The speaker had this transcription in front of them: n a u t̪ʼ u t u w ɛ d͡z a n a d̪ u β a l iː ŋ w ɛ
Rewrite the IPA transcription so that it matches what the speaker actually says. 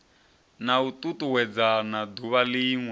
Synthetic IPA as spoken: n a u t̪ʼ u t u w ɛ d͡z a n a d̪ u β a l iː ŋ w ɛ